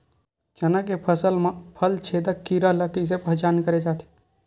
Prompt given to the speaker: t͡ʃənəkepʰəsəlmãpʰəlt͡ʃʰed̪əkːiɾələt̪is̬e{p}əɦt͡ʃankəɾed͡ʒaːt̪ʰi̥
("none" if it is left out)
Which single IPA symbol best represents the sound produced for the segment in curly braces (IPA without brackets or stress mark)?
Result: p